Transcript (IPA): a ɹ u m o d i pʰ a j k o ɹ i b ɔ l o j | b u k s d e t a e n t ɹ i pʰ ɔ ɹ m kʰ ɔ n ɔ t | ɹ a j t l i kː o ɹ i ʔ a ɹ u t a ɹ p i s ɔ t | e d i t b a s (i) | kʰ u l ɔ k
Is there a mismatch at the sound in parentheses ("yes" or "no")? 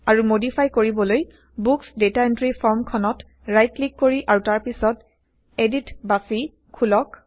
no